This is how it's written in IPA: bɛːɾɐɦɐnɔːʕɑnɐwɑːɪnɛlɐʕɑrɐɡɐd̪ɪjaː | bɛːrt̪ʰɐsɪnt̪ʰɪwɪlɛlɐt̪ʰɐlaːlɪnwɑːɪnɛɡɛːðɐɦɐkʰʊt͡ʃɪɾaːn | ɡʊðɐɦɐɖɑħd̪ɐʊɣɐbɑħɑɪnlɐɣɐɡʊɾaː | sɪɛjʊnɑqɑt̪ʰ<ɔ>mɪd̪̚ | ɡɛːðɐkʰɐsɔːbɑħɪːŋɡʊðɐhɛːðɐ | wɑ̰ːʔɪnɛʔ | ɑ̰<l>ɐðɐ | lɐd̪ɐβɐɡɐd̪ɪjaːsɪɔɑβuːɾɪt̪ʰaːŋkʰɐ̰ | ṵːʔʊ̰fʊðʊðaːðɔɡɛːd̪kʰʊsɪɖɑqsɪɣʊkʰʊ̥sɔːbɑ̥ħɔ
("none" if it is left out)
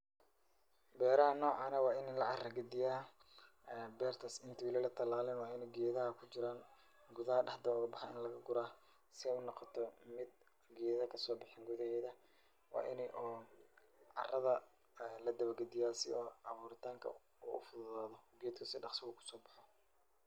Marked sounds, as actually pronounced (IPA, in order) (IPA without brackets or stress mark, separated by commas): ɔ, r